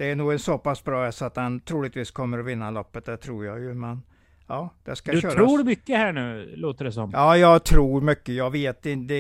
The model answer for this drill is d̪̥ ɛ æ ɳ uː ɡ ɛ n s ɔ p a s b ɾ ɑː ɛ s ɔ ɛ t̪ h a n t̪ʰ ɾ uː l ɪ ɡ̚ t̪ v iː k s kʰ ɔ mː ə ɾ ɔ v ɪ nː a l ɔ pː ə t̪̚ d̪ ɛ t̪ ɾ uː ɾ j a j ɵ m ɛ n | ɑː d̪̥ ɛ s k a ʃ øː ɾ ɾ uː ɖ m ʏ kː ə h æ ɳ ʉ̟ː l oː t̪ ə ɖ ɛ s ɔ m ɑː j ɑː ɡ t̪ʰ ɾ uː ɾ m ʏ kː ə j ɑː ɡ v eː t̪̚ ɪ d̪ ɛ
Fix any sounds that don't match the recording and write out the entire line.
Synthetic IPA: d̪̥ ɛ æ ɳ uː ɡ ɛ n s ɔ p a s b ɾ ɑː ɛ s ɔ a t̪ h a n t̪ʰ ɾ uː l ɪ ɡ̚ t̪ v iː s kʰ ɔ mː ə ɾ ɔ v ɪ nː a l ɔ pː ə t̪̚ d̪ ɛ t̪ʰ ɾ uː ɾ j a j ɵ m ɛ n | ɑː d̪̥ ɛ s k a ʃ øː ɾ ɾ uː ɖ m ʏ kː ə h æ ɳ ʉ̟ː l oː t̪ ə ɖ ɛ s ɔ m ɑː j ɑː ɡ t̪ʰ ɾ uː ɾ m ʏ kː ə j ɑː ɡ v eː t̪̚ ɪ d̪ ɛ